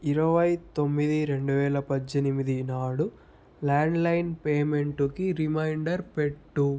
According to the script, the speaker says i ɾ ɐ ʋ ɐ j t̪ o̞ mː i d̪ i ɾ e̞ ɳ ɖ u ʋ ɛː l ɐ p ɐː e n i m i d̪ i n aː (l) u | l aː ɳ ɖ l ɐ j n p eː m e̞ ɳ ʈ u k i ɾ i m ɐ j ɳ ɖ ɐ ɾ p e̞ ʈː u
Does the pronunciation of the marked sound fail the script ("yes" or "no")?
yes